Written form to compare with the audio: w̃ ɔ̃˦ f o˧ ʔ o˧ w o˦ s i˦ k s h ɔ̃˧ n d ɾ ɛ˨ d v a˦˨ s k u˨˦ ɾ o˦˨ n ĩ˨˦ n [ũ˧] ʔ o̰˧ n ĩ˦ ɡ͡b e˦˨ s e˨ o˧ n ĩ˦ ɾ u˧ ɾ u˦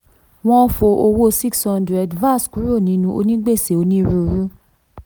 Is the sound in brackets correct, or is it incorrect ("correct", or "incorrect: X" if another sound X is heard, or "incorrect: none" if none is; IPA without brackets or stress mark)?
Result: correct